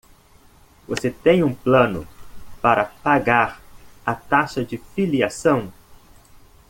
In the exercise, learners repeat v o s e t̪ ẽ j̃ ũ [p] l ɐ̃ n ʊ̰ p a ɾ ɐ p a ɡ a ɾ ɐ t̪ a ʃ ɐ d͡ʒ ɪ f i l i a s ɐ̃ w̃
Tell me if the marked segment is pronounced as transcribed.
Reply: yes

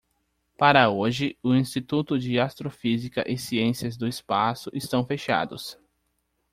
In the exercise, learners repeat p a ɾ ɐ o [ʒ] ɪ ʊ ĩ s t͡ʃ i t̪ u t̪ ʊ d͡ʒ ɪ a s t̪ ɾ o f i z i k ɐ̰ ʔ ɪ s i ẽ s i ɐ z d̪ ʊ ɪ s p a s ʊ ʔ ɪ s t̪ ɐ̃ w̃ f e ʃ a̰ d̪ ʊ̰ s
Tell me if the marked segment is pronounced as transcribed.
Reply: yes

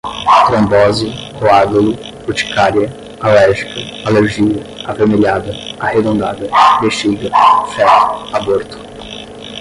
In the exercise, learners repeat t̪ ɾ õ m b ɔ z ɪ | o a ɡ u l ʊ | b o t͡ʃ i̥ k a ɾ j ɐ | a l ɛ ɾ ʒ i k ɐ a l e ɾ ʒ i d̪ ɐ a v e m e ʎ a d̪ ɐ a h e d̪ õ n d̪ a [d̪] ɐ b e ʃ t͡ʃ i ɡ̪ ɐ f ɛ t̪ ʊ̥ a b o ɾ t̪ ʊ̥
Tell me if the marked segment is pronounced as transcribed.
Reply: yes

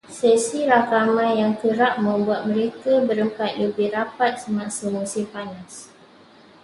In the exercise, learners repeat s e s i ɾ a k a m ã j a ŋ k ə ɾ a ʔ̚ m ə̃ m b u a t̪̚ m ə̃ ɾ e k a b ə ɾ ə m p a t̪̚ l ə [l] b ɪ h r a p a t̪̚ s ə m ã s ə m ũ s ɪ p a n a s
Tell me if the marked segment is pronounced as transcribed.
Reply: no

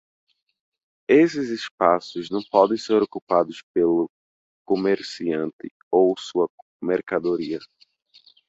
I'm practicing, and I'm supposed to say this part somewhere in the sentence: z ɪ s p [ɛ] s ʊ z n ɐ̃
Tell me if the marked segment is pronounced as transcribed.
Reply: no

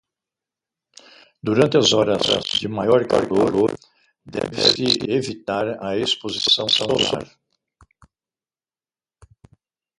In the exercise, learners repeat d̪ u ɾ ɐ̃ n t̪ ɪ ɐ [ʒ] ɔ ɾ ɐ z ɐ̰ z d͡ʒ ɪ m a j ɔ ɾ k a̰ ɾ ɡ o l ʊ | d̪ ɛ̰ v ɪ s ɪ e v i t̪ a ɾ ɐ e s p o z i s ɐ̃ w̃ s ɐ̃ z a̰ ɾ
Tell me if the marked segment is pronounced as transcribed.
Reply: no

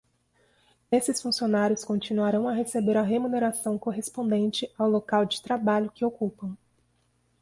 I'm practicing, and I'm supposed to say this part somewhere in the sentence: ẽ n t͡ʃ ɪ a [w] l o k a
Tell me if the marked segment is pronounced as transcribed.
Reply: yes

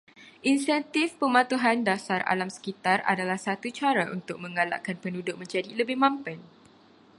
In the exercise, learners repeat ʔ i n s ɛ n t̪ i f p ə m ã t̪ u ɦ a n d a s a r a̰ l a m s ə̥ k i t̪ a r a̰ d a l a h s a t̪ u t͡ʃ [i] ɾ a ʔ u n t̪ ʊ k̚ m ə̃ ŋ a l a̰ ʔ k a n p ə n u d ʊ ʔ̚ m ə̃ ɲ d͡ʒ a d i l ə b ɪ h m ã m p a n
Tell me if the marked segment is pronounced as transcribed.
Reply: no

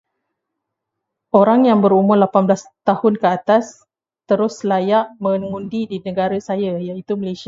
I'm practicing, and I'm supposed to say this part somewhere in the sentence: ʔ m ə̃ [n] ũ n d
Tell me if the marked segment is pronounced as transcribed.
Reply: no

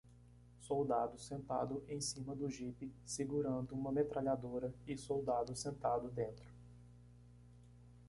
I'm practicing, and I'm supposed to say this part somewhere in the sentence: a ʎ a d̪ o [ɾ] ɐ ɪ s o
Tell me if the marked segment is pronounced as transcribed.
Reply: yes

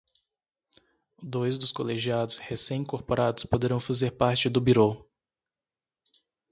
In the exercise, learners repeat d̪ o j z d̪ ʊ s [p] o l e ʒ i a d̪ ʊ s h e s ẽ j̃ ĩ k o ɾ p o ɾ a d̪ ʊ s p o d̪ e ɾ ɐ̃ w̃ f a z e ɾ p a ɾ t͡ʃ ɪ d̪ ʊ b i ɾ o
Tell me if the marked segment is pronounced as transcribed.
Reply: no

